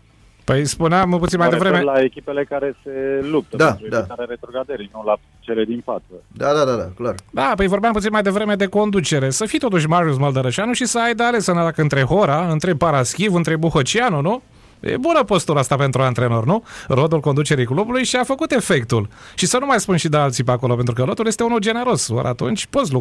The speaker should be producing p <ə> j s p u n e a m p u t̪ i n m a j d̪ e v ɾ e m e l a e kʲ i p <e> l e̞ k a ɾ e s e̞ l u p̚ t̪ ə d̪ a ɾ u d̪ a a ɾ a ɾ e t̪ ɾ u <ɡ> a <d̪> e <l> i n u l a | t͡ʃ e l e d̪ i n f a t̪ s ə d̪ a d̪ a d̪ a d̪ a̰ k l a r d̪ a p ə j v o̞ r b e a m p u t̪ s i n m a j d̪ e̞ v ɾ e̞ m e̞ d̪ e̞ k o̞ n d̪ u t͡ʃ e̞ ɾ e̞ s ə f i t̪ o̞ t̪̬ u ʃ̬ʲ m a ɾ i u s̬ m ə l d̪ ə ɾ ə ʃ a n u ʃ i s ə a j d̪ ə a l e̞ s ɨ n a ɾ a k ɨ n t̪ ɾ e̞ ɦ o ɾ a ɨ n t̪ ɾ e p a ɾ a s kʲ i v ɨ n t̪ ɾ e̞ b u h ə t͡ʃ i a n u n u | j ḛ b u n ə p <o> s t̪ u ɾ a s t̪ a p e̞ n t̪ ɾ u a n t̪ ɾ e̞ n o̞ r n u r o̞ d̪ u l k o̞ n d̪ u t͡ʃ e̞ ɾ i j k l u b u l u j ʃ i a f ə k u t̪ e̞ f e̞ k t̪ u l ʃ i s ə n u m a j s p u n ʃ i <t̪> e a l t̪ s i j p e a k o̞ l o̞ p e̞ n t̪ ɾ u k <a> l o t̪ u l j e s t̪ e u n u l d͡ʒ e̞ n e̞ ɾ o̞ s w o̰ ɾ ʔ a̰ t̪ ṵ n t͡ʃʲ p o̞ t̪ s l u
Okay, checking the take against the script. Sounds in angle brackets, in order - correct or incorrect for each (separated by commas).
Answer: correct, correct, correct, correct, incorrect, correct, incorrect, incorrect